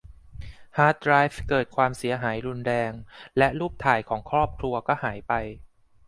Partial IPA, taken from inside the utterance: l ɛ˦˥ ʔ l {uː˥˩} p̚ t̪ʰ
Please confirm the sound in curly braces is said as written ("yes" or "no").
yes